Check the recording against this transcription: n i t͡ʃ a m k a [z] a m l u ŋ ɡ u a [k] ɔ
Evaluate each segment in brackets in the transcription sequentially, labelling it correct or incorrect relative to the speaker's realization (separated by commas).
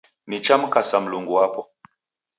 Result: incorrect, incorrect